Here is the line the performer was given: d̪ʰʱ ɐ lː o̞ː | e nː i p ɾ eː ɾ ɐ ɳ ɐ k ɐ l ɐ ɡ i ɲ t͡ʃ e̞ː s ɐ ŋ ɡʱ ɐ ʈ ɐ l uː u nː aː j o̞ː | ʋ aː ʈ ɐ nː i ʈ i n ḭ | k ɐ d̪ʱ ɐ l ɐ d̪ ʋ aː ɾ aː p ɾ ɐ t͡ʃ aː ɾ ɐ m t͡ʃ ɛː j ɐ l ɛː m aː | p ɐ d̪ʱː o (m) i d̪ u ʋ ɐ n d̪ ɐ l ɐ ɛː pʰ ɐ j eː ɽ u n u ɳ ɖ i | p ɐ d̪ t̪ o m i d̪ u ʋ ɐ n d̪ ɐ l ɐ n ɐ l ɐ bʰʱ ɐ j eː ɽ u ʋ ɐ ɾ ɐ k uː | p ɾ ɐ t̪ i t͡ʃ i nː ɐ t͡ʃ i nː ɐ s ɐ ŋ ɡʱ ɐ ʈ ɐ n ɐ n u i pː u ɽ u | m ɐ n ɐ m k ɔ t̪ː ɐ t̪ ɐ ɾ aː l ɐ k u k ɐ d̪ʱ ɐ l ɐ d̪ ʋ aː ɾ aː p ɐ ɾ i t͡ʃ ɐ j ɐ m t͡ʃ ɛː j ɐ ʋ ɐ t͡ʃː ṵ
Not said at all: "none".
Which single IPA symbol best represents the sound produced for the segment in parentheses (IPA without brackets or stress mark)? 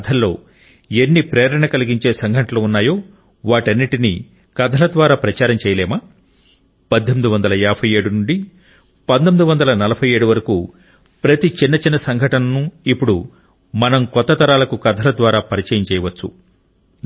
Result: m